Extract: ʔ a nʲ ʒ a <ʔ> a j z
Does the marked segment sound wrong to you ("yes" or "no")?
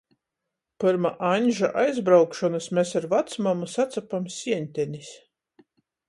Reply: no